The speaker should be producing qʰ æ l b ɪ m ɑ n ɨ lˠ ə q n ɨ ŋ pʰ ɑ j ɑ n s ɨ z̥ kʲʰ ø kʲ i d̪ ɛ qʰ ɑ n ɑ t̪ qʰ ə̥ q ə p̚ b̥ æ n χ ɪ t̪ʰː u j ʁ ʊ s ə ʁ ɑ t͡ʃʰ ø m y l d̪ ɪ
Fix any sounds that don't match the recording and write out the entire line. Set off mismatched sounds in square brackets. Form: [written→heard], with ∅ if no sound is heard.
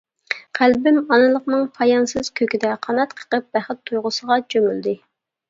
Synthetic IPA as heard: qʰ æ l b ɪ m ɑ n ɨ lˠ ə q n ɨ ŋ pʰ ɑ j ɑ n s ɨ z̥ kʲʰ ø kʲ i d̪ ɛ qʰ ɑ n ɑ t̪ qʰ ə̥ q ə p̚ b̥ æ [n→∅] χ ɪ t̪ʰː u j ʁ ʊ s ə ʁ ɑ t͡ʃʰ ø m y l d̪ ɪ